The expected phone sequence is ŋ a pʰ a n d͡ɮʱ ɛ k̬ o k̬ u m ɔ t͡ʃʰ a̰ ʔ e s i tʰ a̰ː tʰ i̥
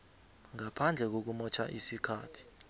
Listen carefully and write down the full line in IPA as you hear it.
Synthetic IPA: ŋ a pʰ a n d͡ɮʱ ɛ k̬ o k̬ u m ɔ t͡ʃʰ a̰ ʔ i s i kʰ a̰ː tʰ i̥